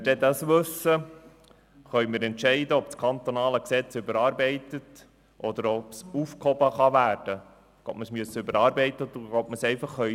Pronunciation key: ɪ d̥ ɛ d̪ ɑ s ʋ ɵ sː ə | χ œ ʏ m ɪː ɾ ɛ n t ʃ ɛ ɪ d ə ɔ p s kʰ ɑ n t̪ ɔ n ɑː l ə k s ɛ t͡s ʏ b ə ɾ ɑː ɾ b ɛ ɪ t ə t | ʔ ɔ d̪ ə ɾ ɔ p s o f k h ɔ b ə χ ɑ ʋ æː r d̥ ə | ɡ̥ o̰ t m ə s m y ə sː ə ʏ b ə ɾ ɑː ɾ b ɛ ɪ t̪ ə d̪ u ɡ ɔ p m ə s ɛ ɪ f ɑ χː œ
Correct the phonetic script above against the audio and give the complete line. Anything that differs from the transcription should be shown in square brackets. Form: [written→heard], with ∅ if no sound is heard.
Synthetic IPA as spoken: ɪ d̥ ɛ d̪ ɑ s ʋ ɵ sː ə | χ œ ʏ m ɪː ɾ ɛ n t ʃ ɛ ɪ d ə ɔ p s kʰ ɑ n t̪ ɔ n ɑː l ə k s ɛ t͡s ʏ b ə ɾ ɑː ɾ b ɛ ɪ t ə t | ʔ ɔ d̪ ə ɾ ɔ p s [o→u] f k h ɔ b ə χ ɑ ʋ æː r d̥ ə | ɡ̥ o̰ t m ə s m y ə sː ə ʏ b ə ɾ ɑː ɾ b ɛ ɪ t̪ ə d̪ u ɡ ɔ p m ə s ɛ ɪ f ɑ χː œ